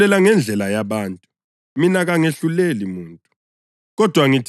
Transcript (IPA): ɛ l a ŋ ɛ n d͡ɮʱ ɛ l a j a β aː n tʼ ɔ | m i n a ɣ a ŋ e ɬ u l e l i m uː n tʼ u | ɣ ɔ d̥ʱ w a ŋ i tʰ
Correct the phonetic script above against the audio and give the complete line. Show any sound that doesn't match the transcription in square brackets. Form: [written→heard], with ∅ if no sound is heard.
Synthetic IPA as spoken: ɛ l a ŋ ɛ n d͡ɮʱ ɛ l a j a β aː n tʼ [ɔ→u] | m i n a ɣ a ŋ e ɬ u l e l i m uː n tʼ u | ɣ ɔ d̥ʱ w a ŋ i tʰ